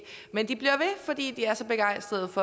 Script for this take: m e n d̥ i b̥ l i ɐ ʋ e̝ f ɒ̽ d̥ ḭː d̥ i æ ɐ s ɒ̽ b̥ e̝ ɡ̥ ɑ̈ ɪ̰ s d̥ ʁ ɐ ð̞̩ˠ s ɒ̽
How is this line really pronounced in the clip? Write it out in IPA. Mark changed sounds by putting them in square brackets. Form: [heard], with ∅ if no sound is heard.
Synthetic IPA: m e n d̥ i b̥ l i ɐ ʋ e̝ f ɒ̽ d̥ ḭː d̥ i æ ɐ s ɒ̽ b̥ e̝ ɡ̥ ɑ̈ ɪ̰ s d̥ ʁ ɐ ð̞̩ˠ [f] ɒ̽